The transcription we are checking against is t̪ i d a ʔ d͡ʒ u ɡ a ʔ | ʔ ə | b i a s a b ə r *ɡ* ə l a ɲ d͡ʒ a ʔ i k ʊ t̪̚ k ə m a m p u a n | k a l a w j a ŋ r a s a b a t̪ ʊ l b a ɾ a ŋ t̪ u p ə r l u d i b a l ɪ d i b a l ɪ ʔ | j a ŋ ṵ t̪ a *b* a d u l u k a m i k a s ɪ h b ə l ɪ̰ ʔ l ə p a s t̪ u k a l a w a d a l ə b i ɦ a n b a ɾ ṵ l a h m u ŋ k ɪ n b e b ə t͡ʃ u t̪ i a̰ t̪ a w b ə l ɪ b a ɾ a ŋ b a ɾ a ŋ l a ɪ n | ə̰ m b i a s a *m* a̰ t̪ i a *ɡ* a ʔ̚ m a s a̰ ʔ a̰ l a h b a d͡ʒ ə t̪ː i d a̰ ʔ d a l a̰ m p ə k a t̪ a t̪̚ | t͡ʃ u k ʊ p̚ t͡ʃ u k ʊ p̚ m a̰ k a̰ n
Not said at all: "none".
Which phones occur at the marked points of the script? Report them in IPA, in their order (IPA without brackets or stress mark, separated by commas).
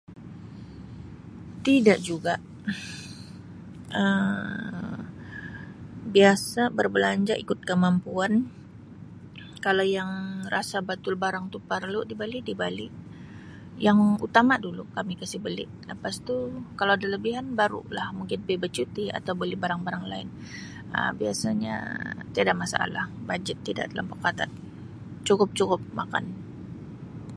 b, m, ɲ, d